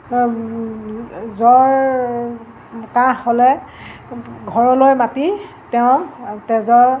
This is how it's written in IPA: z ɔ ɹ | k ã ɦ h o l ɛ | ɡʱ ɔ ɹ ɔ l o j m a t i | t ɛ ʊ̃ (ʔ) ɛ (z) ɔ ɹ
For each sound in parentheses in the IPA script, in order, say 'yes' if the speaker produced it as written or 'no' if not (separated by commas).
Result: no, yes